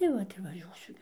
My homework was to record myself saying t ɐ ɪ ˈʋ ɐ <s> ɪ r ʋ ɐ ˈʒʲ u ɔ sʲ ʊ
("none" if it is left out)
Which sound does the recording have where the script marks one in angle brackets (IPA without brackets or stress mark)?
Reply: t